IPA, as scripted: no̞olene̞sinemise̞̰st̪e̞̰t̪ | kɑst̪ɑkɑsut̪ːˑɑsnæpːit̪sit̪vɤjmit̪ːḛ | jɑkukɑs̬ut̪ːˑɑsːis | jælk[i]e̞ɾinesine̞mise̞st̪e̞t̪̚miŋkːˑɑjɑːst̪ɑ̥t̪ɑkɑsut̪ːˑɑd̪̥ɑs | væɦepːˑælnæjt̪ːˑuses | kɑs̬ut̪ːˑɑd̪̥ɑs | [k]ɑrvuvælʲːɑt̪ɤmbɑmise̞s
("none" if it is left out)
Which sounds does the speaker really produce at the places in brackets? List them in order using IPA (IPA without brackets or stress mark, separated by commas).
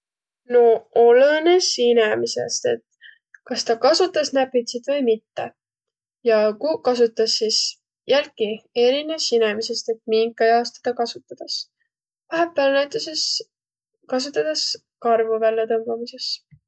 i, k